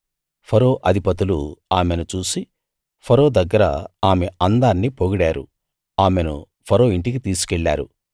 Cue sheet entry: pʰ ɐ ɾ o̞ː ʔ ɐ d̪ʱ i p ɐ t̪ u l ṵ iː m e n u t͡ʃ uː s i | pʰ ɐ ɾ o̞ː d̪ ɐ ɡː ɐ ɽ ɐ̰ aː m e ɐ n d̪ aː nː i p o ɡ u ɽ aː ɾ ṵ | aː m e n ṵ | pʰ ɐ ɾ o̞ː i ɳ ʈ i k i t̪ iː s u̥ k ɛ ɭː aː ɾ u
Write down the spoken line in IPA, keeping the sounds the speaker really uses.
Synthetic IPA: pʰ ɐ ɾ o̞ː ʔ ɐ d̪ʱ i p ɐ t̪ u l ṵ aː m e n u t͡ʃ uː s i | pʰ ɐ ɾ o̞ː d̪ ɐ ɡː ɐ ɾ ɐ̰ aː m e ɐ n d̪ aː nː i p o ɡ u ɽ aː ɾ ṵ | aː m e n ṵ | pʰ ɐ ɾ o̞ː i ɳ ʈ i k i t̪ iː s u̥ k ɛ ɭː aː ɾ u

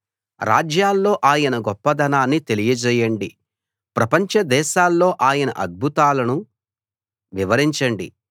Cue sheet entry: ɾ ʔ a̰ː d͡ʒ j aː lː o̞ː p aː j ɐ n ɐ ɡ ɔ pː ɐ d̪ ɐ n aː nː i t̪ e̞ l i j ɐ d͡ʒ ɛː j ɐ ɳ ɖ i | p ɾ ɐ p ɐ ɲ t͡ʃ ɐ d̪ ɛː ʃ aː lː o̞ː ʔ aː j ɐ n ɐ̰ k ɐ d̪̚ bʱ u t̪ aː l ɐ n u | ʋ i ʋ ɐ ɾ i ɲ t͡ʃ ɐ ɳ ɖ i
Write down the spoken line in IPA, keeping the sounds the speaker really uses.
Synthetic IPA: ɾ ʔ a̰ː d͡ʒ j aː lː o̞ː ʔ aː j ɐ n ɐ ɡ ɔ pː ɐ d̪ ɐ n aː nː i t̪ e̞ l i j ɐ d͡ʒ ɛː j ɐ ɳ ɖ i | p ɾ ɐ p ɐ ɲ t͡ʃ ɐ d̪ ɛː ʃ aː lː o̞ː ʔ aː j ɐ n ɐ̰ ʔ ɐ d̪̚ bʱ u t̪ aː l ɐ n u | ʋ i ʋ ɐ ɾ i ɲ t͡ʃ ɐ ɳ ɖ i

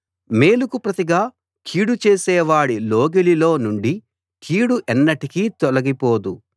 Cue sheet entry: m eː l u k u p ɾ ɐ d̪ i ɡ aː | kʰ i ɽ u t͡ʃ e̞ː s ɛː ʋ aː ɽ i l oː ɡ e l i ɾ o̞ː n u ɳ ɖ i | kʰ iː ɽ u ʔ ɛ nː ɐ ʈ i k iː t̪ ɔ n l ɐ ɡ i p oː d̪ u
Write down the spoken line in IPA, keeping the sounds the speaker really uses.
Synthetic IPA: m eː l u k u p ɾ ɐ t̪ i ɡ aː | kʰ iː ɽ u t͡ʃ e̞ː s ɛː ʋ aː ɽ i l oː ɡ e l i l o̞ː n u ɳ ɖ i | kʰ iː ɽ u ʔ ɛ nː ɐ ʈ i k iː t̪ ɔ l ɐ ɡ i p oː d̪ u

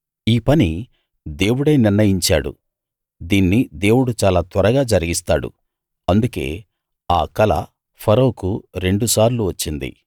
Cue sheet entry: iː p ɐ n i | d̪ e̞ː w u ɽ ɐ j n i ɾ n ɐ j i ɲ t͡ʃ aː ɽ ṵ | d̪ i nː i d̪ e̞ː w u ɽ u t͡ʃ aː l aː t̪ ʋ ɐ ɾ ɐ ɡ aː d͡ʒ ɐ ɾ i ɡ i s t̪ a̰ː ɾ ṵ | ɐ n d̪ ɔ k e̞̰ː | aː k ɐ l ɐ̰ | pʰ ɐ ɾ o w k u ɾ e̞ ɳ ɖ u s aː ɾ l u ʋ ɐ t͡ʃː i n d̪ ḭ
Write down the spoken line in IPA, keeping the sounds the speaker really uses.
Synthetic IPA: iː p ɐ n i | d̪ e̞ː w u ɽ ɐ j n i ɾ n ɐ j i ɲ t͡ʃ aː ɽ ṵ | d̪ iː nː i d̪ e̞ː w u ɽ u t͡ʃ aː l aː t̪ ʋ ɐ ɾ ɐ ɡ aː d͡ʒ ɐ ɾ i ɡ i s t̪ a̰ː ɽ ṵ | ɐ n d̪ u k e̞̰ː | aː k ɐ l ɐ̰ | pʰ ɐ ɾ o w k u ɾ e̞ ɳ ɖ u s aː ɾ l u ʋ ɐ t͡ʃː i n d̪ ḭ

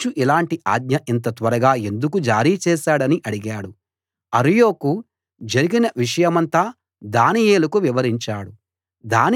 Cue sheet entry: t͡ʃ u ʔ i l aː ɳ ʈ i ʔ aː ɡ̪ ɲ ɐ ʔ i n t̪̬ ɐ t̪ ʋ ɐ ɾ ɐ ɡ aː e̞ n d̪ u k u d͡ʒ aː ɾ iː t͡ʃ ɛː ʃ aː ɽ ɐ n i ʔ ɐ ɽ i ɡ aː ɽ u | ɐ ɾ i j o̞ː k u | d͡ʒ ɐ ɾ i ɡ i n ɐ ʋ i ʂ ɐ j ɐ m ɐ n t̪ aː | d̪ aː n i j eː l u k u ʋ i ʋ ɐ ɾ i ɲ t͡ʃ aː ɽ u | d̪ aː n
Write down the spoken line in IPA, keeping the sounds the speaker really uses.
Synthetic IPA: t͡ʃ u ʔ i l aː ɳ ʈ i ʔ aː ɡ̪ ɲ ɐ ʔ i n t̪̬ ɐ t̪ ʋ ɐ ɾ ɐ ɡ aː e̞ n d̪ u k u d͡ʒ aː ɾ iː t͡ʃ ɛː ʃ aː ɽ ɐ n i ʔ ɐ ɽ i ɡ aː ɽ u | ɐ ɾ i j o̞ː k u | d͡ʒ ɐ ɾ i ɡ i n ɐ ʋ i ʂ ɐ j ɐ m ɐ n t̪ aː | d̪ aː n i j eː l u k u ʋ i ʋ ɐ ɾ i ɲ t͡ʃ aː ɽ u | d̪ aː n

